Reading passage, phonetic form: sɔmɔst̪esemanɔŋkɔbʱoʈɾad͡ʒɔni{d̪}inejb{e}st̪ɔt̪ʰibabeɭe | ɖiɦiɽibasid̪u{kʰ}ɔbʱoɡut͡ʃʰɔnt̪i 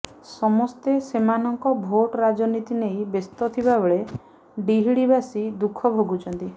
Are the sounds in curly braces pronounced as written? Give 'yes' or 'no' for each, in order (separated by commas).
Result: no, yes, yes